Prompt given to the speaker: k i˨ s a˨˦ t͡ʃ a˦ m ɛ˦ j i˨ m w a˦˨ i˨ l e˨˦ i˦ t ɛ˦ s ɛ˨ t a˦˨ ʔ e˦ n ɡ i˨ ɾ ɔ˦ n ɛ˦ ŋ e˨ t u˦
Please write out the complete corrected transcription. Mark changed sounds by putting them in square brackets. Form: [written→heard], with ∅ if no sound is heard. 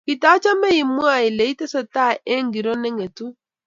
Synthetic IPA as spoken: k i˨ [s→t] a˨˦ t͡ʃ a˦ m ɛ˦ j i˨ m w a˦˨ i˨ l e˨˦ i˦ t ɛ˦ s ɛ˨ t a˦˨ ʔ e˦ [n→ŋ] ɡ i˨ ɾ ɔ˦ n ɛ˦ ŋ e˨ t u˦